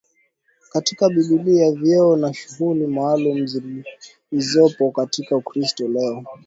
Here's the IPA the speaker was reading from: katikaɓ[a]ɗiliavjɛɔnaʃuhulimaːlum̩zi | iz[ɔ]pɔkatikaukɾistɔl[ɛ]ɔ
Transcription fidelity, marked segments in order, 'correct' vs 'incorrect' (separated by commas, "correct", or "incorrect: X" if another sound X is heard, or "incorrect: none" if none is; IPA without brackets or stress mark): incorrect: i, correct, correct